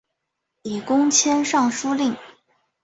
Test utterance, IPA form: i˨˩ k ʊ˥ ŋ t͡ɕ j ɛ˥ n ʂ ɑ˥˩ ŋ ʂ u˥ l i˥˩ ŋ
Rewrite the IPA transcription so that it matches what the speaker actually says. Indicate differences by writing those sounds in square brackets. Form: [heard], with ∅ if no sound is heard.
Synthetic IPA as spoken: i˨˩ k ʊ˥ ŋ [t͡ɕʰ] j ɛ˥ n ʂ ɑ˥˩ ŋ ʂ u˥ l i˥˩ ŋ